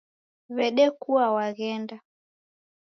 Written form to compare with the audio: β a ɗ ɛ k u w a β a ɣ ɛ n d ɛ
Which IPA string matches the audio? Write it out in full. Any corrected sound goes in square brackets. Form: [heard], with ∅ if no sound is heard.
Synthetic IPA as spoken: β [ɛ] ɗ ɛ k u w a [w] a ɣ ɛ n d [a]